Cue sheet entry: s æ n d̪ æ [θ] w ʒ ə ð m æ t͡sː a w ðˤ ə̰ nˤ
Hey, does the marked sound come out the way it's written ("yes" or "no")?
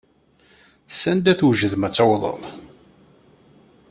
yes